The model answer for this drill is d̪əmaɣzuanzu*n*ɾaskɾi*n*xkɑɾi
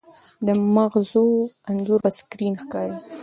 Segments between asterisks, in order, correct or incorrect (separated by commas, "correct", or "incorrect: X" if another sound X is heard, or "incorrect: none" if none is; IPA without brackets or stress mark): incorrect: none, correct